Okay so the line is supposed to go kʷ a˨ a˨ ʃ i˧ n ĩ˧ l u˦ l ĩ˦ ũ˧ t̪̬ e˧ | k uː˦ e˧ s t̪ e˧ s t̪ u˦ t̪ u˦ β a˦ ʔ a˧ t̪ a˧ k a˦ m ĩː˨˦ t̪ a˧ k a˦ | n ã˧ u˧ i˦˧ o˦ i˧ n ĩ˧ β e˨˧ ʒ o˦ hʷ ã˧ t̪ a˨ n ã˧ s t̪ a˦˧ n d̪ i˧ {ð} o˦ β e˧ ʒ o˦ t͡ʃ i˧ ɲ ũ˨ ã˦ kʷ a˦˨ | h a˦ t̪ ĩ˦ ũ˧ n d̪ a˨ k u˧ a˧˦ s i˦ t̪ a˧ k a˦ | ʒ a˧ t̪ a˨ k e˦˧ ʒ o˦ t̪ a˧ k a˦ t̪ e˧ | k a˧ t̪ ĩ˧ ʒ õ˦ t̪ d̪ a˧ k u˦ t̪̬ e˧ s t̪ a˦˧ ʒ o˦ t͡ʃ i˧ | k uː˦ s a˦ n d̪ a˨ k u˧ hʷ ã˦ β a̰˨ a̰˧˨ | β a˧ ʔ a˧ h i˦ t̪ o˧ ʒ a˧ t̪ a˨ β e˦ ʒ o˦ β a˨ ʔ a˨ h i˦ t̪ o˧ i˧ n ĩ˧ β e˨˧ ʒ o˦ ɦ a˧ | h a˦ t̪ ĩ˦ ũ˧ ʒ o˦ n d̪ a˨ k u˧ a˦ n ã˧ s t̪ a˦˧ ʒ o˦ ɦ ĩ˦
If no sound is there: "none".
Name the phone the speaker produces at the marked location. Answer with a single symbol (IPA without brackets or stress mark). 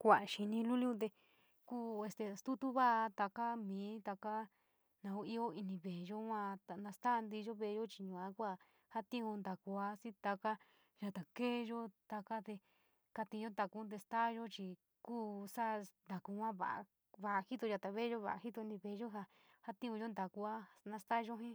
ʒ